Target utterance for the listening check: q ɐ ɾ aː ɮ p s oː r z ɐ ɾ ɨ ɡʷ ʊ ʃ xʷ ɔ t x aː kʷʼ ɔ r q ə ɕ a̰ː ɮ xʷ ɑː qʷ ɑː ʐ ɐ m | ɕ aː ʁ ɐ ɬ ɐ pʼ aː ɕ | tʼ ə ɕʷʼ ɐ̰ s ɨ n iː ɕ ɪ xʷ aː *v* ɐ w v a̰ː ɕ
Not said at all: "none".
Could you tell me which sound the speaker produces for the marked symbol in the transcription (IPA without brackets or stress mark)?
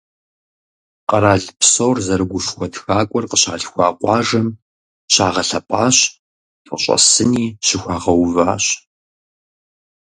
ʁ